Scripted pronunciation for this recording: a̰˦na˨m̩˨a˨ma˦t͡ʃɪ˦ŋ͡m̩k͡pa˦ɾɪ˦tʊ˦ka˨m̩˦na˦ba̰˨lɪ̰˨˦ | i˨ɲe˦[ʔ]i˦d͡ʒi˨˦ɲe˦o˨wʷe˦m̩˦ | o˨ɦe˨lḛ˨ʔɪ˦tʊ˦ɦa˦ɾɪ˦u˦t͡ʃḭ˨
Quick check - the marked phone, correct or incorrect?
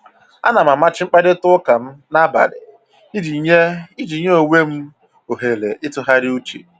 incorrect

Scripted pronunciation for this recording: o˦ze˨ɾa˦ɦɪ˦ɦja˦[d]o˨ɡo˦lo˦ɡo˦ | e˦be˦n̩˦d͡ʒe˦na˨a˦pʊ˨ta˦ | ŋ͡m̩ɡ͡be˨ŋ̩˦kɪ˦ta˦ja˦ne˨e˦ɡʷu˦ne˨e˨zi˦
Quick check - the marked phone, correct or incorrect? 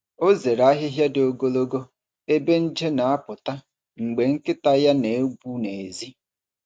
correct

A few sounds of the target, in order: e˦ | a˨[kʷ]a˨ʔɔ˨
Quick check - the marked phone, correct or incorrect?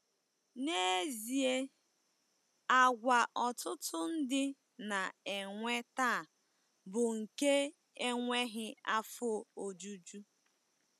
incorrect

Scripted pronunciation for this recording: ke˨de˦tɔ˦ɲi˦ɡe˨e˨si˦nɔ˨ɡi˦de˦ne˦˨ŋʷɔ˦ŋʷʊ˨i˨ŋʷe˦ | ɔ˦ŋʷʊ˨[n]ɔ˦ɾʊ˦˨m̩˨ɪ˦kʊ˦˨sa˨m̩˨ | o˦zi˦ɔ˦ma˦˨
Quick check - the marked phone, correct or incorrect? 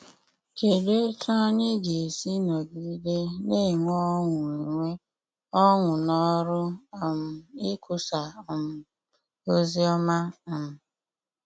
correct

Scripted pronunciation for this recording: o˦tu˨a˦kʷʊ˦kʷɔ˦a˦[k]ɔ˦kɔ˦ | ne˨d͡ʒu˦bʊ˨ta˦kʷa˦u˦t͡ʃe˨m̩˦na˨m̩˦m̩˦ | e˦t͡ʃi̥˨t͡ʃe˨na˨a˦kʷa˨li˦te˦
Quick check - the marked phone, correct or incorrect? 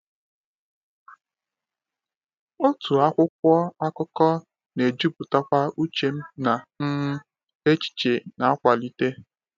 correct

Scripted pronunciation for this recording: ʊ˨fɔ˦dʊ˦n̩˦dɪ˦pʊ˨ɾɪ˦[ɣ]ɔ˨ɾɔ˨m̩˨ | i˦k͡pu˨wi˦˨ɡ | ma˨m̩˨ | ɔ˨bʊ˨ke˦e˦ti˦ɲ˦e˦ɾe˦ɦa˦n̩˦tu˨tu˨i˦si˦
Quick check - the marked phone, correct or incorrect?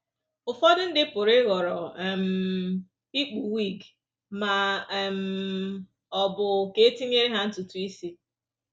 correct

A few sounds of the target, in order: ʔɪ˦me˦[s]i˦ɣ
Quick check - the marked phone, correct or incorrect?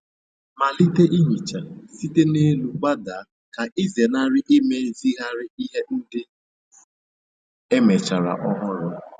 incorrect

